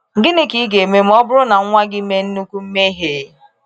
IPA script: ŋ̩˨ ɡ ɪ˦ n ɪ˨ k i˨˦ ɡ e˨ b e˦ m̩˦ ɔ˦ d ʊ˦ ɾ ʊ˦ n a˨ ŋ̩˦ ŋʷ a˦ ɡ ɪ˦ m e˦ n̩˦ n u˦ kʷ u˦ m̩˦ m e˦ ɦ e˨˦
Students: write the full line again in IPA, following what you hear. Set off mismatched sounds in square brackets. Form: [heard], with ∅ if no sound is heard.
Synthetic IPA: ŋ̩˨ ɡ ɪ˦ n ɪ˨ k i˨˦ ɡ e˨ [m] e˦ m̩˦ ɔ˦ [b] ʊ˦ ɾ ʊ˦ n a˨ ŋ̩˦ ŋʷ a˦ ɡ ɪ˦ m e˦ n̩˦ n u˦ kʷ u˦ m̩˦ m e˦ ɦ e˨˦